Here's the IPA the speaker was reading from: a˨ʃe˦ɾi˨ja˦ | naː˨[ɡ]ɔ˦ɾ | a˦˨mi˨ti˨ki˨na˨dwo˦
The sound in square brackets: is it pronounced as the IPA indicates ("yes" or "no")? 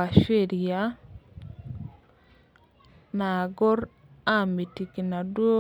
yes